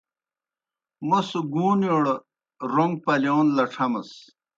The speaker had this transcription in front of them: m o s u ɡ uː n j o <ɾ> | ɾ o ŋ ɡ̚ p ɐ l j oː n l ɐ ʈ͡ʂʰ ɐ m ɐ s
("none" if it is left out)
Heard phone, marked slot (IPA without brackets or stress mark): ɽ